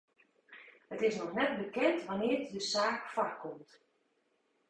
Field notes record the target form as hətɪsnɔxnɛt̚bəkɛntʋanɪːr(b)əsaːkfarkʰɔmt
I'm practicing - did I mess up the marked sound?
yes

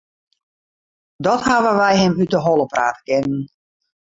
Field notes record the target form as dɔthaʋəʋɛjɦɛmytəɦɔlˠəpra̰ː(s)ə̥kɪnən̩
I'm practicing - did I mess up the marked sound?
yes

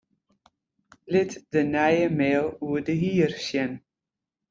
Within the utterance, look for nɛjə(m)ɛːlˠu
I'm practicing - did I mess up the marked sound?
no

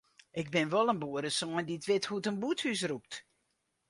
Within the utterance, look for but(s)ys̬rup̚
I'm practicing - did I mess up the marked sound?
yes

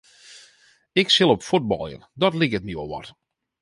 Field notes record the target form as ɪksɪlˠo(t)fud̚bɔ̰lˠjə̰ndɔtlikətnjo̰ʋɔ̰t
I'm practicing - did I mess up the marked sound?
yes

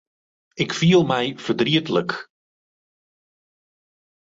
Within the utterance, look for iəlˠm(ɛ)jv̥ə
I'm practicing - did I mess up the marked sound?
no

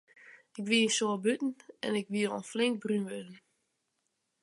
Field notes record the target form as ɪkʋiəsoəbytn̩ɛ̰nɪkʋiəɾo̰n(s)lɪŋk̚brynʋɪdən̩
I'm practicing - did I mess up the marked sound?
yes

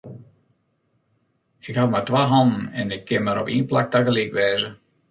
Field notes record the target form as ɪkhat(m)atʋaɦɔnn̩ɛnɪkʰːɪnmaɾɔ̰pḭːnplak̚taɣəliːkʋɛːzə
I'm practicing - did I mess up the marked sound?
no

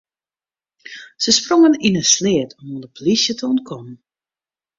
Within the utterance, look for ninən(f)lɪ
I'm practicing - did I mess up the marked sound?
yes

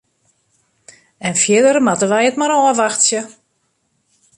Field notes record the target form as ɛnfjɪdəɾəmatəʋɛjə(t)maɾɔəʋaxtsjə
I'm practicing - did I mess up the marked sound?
no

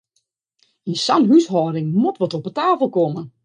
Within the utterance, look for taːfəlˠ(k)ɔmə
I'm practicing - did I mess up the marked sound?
no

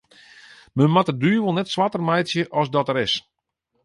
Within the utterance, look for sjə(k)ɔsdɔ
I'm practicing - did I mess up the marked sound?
yes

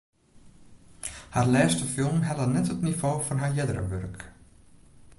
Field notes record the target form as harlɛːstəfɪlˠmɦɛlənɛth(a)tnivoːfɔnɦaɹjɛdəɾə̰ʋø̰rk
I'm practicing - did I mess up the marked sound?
yes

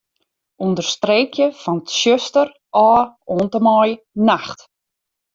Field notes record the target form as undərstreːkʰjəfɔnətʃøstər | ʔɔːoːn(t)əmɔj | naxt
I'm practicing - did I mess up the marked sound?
no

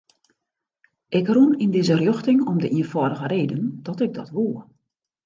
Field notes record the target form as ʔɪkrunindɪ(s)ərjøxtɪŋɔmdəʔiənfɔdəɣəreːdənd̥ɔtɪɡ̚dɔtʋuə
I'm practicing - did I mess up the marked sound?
yes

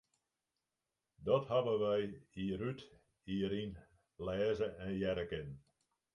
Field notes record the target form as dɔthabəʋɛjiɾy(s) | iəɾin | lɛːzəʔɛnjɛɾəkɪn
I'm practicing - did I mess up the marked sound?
yes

